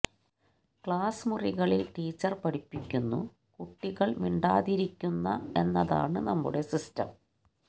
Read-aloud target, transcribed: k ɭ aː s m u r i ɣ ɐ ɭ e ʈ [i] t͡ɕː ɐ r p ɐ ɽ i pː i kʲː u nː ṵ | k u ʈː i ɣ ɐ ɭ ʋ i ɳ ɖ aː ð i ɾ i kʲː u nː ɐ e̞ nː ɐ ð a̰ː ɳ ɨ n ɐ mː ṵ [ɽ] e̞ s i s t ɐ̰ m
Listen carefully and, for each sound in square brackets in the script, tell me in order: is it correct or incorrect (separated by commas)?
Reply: incorrect, correct